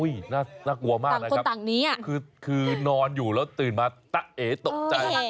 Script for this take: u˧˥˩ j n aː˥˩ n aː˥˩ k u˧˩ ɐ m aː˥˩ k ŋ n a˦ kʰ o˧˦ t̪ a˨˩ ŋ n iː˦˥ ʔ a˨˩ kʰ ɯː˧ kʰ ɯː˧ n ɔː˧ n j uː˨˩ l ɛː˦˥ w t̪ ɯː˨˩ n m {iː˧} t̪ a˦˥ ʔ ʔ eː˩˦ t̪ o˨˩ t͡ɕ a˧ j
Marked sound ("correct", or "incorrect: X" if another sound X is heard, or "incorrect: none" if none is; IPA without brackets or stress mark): incorrect: aː˧